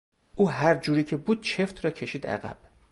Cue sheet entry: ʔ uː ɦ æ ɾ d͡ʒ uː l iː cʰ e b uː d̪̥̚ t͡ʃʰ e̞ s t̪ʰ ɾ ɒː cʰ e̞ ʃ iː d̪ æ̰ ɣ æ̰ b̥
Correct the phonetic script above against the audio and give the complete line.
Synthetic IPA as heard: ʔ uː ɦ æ ɾ d͡ʒ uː ɾ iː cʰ e b uː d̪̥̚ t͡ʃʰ e̞ f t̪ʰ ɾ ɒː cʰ e̞ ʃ iː d̪ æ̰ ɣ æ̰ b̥